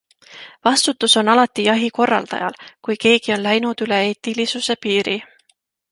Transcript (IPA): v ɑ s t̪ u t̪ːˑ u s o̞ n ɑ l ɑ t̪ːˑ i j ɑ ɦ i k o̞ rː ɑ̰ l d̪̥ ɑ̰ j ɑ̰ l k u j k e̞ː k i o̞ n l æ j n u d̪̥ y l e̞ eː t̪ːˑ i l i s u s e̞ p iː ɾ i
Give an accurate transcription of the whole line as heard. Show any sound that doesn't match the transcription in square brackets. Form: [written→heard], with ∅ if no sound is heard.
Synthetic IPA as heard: v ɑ s t̪ u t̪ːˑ u s o̞ n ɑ l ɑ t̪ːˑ i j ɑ ɦ i k o̞ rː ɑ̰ l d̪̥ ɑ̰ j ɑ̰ l k u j k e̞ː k i o̞ n l æ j n u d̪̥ y l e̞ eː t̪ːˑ i l i s u s e̞ p iː ɾ i